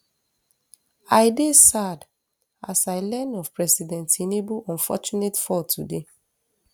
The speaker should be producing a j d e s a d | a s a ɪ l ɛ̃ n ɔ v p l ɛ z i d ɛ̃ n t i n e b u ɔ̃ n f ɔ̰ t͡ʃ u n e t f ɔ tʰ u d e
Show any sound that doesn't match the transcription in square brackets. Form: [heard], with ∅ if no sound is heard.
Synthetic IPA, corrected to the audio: a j d e s a d | a s a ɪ l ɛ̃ n ɔ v p [ɹ] ɛ [s] i d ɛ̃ n t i n e b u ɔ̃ n f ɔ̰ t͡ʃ u n e t f ɔ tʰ u d e